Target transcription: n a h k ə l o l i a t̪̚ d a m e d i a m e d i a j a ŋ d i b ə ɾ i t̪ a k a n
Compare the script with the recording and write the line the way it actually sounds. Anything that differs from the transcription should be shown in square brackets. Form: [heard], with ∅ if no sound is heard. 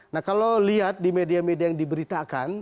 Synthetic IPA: n a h k [a] l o l i a t̪̚ d [i] m e d i a m e d i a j a ŋ d i b ə ɾ i t̪ a k a n

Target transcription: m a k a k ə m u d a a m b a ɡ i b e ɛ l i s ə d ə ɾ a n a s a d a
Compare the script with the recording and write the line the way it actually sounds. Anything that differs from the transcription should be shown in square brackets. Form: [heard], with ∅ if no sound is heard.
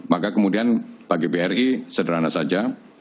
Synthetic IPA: m a k a k ə m u d [i] a [n] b a ɡ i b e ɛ [r] i s ə d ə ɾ a n a s a [d͡ʒ] a

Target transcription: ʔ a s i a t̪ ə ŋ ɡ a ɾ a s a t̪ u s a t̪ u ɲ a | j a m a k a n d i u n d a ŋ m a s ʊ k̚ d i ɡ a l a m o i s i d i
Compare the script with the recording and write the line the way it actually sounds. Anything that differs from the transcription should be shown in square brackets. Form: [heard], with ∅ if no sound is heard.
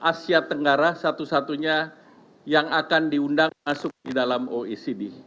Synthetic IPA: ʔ a s i a t̪ ə ŋ ɡ a ɾ a s a t̪ u s a t̪ u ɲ a | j a [ŋ] a k a n d i u n d a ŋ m a s ʊ k̚ d i [d] a l a m o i s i d i

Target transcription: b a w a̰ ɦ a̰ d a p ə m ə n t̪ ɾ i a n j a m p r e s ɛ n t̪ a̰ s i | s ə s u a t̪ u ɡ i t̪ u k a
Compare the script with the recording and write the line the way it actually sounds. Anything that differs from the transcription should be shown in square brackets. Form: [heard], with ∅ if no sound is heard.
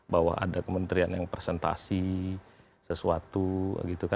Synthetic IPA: b a w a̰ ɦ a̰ d a [k] ə m ə n t̪ ɾ i a n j a [ŋ] p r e s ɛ n t̪ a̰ s i | s ə s u a t̪ u ɡ i t̪ u k a

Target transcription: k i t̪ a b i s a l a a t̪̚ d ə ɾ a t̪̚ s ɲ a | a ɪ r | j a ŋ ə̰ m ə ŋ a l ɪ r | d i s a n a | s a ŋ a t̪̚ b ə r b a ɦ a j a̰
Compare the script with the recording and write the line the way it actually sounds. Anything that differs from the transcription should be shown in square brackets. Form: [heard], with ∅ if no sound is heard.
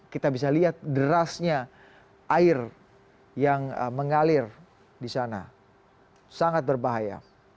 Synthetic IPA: k i t̪ a b i s a l [i] a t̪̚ d ə ɾ a [∅] s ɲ a | a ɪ r | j a ŋ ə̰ m ə ŋ a l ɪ r | d i s a n a | s a ŋ a t̪̚ b ə r b a ɦ a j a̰

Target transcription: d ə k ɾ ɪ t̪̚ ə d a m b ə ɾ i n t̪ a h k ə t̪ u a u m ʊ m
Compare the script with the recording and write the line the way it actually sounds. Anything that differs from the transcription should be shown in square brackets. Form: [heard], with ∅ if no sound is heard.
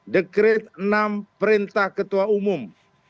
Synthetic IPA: d ə k ɾ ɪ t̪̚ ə [n] a m [p] ə ɾ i n t̪ a h k ə t̪ u a u m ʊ m

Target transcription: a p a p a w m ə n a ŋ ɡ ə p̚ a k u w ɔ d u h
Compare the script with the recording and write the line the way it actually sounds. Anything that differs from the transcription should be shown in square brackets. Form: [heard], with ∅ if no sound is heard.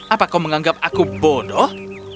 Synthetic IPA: a p a [k] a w m ə [ŋ] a ŋ ɡ [a] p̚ a k u [b] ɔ d [ɔ] h

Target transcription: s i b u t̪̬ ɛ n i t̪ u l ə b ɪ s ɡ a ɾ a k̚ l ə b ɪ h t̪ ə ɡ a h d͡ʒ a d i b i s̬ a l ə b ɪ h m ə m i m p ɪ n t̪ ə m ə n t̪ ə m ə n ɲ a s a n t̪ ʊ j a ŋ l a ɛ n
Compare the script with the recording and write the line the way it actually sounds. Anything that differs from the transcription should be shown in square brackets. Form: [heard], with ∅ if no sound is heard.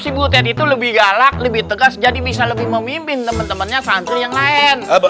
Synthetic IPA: s i b u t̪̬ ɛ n i t̪ u l ə b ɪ [h] ɡ a [l] a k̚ l ə b ɪ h t̪ ə ɡ a [s] d͡ʒ a d i b i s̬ a l ə b ɪ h m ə m i m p ɪ n t̪ ə m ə n t̪ ə m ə n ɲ a s a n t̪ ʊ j a ŋ l a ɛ n

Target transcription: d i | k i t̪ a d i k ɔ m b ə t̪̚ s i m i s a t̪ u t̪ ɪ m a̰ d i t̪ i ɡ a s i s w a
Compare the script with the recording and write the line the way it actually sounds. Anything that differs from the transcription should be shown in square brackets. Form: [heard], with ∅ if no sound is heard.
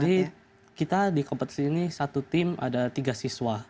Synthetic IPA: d i | k i t̪ a d i k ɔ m [p] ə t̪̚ s i [n] i s a t̪ u t̪ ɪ m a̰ d [a] t̪ i ɡ a s i s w a

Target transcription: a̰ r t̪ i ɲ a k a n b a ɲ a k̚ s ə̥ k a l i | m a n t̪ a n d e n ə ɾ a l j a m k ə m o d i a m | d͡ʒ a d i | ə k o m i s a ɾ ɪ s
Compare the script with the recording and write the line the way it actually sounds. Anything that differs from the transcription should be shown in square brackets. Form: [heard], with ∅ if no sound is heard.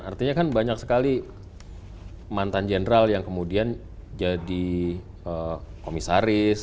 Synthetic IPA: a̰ r t̪ i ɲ a k a n b a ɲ a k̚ s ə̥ k a l i | m a n t̪ a n [d͡ʒ] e n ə ɾ a l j a [ŋ] k ə m [u] d i a [n] | d͡ʒ a d i | ə k o m i s a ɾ ɪ s

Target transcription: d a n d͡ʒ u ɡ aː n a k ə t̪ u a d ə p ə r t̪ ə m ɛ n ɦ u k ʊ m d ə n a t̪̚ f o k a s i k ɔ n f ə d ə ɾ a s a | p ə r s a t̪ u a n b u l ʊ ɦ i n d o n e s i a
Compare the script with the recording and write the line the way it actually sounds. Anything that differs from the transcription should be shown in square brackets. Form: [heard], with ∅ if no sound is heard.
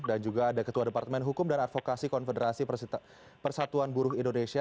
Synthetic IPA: d a n d͡ʒ u ɡ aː [d] a k ə t̪ u a d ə p [a] r t̪ ə m ɛ n ɦ u k ʊ m d [a] n a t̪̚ f o k a s i k ɔ n f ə d ə ɾ a s [i] | p ə r s a t̪ u a n b u [ɾ] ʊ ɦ i n d o n e s i a

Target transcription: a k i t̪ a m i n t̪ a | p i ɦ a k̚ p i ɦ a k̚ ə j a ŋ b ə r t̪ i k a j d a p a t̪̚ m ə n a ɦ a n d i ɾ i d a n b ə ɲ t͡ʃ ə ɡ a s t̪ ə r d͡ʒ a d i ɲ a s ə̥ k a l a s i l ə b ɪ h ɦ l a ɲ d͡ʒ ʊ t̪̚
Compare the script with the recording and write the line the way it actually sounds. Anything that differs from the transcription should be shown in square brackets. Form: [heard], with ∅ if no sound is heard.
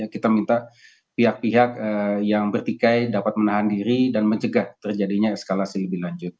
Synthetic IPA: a k i t̪ a m i n t̪ a | p i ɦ a k̚ p i ɦ a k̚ ə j a ŋ b ə r t̪ i k a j d a p a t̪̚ m ə n a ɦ a n d i ɾ i d a n [m] ə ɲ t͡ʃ ə ɡ a [h] t̪ ə r d͡ʒ a d i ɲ a s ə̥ k a l a s i l ə b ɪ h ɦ l a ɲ d͡ʒ ʊ t̪̚

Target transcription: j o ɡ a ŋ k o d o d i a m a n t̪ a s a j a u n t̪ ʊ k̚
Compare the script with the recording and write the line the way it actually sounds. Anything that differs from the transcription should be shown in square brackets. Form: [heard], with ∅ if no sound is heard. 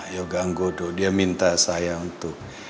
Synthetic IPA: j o ɡ a ŋ [ɡ] o d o d i a m [i] n t̪ a s a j a u n t̪ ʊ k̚

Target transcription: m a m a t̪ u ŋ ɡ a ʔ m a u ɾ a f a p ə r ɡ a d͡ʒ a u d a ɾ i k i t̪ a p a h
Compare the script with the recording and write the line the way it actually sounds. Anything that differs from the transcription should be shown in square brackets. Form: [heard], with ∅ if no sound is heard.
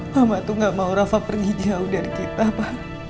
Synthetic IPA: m a m a t̪ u ŋ ɡ a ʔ m a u ɾ a f a p ə r ɡ [i] d͡ʒ a u d a ɾ i k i t̪ a p a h

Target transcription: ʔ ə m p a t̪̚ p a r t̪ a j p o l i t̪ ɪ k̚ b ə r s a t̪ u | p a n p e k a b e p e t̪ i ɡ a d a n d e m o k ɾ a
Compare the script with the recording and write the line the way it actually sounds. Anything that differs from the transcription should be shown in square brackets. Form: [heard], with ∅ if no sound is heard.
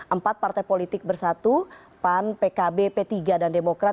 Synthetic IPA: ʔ ə m p a t̪̚ p a r t̪ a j p o l i t̪ ɪ k̚ b ə r s a t̪ u | p a n p e k a b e p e t̪ i ɡ a d a n d e m o k ɾ a

